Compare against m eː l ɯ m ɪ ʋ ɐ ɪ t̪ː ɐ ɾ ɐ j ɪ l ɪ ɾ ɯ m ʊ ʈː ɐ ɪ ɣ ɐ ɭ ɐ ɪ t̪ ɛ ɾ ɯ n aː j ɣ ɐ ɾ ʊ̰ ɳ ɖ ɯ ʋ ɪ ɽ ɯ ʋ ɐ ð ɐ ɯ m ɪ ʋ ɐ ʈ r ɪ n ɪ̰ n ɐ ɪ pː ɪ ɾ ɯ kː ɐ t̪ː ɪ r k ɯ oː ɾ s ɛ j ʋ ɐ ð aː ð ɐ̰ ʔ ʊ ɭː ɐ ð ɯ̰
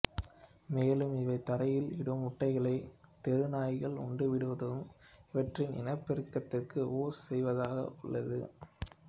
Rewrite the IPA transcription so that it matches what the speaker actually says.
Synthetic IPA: m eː l ɯ m ɪ ʋ ɐ ɪ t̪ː ɐ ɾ ɐ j ɪ l ɪ ɽ ɯ m ʊ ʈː ɐ ɪ ɣ ɐ ɭ ɐ ɪ t̪ ɛ ɾ ɯ n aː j ɣ ɐ ɭ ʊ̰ ɳ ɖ ɯ ʋ ɪ ɽ ɯ ʋ ɐ ð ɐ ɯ m ɪ ʋ ɐ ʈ r ɪ n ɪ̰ n ɐ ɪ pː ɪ ɾ ɯ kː ɐ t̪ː ɪ r k ɯ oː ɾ s ɛ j ʋ ɐ ð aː ɣ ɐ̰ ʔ ʊ ɭː ɐ ð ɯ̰